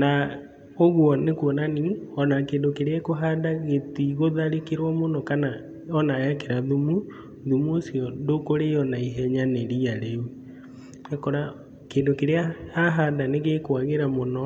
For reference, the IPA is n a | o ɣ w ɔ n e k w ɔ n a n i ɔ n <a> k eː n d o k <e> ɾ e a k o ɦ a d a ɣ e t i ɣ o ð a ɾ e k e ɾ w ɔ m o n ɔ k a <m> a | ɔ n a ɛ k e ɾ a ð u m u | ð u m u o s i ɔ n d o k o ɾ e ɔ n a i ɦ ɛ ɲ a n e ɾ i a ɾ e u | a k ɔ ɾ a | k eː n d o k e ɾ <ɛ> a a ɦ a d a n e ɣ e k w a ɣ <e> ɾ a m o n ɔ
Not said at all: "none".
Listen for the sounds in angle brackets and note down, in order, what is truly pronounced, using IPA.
a, e, n, e, e

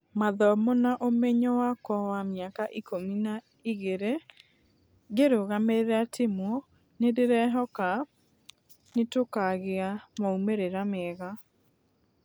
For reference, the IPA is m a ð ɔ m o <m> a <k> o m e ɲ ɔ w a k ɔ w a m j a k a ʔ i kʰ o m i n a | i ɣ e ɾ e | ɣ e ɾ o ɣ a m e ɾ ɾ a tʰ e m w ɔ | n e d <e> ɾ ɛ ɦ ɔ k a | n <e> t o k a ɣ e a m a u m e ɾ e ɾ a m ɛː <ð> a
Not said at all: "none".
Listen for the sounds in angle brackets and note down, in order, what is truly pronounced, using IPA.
n, ʔ, e, e, ɣ

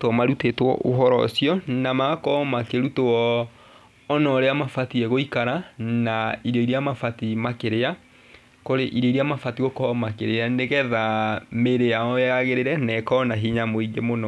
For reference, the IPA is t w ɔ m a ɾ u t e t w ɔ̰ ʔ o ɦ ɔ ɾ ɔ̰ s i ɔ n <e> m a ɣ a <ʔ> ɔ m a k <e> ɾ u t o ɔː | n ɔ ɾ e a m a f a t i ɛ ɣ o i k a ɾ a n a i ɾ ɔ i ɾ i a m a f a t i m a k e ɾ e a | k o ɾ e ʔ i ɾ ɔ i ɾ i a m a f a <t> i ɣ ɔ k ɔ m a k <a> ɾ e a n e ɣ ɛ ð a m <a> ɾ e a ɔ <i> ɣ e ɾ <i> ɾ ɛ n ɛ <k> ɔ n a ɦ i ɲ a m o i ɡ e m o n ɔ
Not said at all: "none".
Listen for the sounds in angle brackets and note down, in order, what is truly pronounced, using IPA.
a, k, e, t, e, e, a, e, k

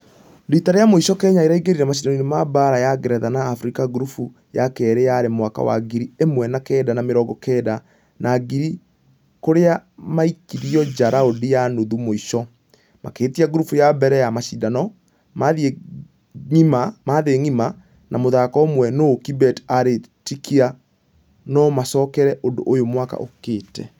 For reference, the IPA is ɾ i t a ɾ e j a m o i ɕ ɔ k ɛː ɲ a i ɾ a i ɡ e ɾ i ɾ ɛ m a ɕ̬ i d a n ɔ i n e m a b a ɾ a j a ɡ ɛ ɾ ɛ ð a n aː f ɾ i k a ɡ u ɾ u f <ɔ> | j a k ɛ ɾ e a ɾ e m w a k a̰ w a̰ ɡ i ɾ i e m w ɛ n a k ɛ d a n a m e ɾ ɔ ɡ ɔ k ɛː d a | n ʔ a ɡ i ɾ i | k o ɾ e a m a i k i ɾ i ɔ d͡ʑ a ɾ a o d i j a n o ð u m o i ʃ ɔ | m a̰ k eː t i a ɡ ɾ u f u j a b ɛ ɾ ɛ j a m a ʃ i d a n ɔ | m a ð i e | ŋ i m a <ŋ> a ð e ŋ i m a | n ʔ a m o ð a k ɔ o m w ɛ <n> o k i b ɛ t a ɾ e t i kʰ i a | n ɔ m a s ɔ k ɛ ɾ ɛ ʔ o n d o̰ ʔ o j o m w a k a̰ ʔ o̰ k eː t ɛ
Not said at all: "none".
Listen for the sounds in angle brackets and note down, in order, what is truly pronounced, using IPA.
u, m, n

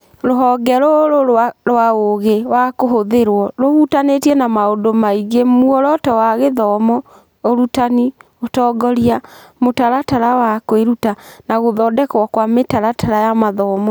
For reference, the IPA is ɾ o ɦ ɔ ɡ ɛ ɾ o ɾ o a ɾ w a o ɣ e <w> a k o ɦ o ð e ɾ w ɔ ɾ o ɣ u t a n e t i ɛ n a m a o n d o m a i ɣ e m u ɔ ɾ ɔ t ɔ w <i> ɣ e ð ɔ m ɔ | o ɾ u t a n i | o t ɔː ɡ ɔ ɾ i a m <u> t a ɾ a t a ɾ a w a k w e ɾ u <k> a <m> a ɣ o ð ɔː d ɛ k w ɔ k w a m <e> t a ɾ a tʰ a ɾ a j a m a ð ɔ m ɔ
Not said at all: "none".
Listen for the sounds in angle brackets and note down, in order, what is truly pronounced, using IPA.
w, a, o, t, n, e

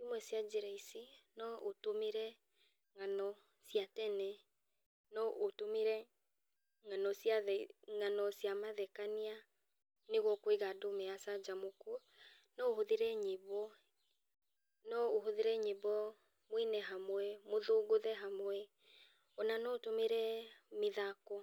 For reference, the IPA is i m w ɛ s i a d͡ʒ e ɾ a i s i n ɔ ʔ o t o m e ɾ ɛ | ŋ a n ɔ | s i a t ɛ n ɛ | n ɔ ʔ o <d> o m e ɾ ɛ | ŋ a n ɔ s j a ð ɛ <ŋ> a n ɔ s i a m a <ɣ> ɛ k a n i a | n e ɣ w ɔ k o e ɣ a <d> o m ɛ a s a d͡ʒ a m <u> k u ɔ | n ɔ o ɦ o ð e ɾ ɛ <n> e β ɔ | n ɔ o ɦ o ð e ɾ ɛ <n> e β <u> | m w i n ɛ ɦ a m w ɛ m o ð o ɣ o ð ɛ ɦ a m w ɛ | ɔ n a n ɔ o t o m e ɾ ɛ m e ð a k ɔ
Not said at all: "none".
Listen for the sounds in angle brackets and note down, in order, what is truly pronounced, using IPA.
t, ŋ, ð, d, o, ɲ, ɲ, ɔ

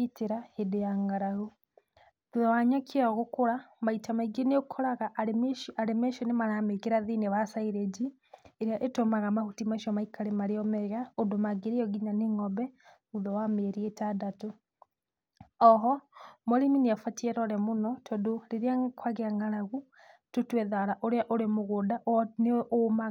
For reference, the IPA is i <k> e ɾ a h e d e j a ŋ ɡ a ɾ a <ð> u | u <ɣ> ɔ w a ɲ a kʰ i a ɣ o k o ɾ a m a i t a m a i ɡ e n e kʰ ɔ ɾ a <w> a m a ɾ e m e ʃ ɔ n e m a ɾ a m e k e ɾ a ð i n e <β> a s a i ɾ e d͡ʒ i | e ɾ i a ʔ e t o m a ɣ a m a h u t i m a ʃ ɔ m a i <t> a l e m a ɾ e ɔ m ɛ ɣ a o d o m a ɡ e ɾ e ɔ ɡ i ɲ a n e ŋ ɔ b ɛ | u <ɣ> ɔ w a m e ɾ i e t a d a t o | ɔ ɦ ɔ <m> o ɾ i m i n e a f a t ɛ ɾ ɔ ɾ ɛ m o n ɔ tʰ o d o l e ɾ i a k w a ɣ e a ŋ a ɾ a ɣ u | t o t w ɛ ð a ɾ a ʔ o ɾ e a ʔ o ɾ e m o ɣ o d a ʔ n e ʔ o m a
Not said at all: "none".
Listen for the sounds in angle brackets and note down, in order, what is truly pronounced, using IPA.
t, ɣ, ð, ɣ, β, k, ð, m

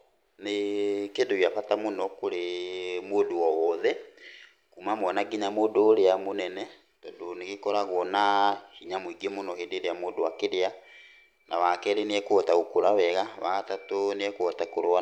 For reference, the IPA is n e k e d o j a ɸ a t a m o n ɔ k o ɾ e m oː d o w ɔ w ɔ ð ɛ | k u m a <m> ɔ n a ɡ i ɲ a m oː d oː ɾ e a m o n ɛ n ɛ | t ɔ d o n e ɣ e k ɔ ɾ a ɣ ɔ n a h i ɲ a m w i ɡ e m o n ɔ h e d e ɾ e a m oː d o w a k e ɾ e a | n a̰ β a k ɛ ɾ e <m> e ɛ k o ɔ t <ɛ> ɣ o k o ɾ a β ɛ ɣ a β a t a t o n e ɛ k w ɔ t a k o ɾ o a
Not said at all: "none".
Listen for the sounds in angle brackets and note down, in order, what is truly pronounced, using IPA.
m, n, a

